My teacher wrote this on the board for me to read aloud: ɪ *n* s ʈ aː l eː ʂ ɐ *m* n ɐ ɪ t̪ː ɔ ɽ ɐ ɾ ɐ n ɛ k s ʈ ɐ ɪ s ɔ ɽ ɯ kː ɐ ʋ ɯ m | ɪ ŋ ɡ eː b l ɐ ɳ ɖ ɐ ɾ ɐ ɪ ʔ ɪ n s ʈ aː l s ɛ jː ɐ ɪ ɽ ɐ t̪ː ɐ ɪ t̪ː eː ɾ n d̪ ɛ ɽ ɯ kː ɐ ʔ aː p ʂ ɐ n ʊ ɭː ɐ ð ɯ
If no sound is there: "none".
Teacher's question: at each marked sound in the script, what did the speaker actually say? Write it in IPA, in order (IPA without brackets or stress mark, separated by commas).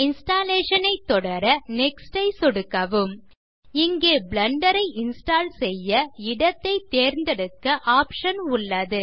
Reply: n, none